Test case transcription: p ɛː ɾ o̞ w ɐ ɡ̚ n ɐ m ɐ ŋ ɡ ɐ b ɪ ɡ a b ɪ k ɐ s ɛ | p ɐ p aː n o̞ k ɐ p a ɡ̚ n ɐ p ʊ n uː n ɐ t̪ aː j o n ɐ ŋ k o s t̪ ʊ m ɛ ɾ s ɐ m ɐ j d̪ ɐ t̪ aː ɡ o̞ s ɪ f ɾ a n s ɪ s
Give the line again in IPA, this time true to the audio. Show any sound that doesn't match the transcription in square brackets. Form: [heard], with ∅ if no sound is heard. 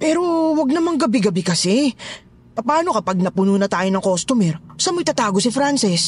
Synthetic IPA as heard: p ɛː ɾ o̞ w ɐ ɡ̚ n ɐ m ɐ ŋ ɡ ɐ b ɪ ɡ [ɐ] b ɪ k ɐ s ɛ | p ɐ p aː n o̞ k ɐ p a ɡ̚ n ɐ p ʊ n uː n ɐ t̪ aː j o n ɐ ŋ k o s t̪ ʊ m ɛ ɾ s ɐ m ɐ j [t̪] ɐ t̪ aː ɡ o̞ s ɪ f ɾ a n s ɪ s